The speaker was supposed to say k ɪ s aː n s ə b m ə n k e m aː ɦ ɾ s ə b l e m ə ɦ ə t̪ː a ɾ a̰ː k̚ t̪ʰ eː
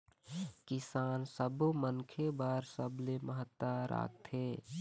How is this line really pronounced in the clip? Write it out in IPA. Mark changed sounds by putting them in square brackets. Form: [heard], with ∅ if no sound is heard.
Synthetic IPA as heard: k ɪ s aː n s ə b m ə n [kʰ] e [b] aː [∅] ɾ s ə b l e m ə ɦ ə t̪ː a ɾ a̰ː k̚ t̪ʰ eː